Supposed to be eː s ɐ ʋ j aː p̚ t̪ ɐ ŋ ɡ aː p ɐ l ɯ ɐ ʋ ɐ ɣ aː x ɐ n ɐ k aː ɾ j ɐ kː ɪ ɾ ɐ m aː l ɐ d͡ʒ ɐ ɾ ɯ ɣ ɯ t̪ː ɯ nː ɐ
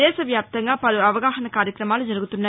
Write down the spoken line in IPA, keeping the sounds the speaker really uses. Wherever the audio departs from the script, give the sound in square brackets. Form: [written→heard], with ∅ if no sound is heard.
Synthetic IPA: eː s ɐ ʋ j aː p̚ t̪ ɐ ŋ ɡ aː p ɐ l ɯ ɐ ʋ ɐ ɣ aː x ɐ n ɐ k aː ɾ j ɐ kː ɪ ɾ ɐ m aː l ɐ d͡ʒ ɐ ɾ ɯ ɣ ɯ t̪ː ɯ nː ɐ